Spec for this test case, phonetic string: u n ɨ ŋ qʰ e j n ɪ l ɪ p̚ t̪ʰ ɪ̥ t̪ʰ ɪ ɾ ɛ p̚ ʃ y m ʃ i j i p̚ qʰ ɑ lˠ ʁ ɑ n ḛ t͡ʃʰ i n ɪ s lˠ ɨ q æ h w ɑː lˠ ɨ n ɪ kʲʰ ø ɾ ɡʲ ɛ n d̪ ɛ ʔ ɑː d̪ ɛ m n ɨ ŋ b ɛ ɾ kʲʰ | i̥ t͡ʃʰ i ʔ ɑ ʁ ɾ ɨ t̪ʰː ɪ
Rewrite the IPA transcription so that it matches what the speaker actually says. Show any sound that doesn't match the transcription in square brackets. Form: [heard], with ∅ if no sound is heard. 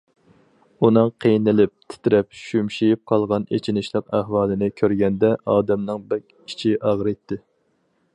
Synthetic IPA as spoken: u n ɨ ŋ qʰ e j n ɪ l ɪ p̚ t̪ʰ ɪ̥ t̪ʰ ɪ ɾ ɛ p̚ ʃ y m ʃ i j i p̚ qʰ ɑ lˠ ʁ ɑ n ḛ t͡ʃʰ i n ɪ [ʃ] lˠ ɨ q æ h w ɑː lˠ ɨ n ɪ kʲʰ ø ɾ ɡʲ ɛ n d̪ ɛ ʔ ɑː d̪ ɛ m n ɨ ŋ b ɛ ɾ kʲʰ | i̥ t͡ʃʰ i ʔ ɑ ʁ ɾ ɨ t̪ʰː ɪ